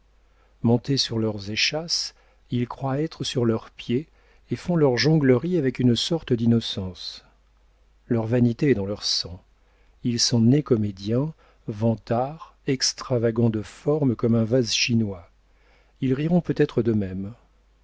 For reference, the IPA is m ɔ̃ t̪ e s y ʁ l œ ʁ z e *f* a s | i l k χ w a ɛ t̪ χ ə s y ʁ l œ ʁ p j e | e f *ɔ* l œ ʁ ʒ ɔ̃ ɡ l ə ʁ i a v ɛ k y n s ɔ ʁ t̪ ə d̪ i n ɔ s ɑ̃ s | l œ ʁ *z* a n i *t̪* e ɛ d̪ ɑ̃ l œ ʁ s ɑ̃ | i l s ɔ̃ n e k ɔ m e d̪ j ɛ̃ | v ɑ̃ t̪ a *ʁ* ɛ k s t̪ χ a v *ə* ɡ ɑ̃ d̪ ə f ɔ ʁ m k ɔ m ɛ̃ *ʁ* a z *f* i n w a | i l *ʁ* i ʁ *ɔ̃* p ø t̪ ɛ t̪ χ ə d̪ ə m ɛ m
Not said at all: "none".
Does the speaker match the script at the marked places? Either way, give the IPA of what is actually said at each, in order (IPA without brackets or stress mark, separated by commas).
ʃ, ɔ̃, v, t̪, ʁ, a, v, ʃ, ʁ, ɔ̃